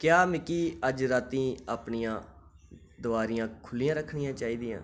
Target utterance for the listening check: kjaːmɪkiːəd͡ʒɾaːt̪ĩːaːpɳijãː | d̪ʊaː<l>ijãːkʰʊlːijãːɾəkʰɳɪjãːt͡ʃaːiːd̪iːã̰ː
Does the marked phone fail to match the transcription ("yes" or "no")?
yes